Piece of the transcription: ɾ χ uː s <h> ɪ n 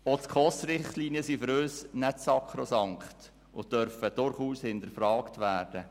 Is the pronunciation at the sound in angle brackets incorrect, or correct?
correct